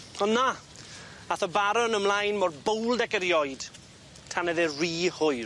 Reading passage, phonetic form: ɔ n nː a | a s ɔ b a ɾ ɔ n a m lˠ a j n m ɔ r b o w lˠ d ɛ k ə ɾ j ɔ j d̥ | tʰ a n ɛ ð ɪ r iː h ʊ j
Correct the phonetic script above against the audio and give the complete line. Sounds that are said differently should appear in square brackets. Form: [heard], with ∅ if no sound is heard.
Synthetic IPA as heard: ɔ n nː a | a [θ] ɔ b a ɾ ɔ n [ə] m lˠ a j n m ɔ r b o w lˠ d ɛ k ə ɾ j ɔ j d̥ | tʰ a n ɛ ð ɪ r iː h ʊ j